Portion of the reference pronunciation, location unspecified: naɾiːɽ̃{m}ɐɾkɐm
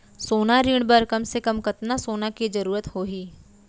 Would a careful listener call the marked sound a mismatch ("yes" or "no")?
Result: yes